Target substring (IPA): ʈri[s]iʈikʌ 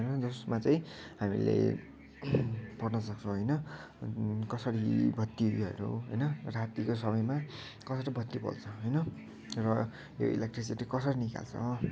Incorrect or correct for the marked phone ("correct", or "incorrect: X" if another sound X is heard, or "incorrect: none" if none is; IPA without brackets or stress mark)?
correct